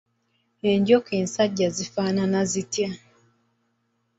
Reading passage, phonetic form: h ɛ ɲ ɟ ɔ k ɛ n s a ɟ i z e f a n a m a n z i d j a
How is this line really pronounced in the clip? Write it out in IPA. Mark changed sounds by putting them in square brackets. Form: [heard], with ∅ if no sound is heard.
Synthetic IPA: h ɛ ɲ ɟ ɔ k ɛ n s a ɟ [a] z [i] f a n a [n] a [∅] z i [t] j a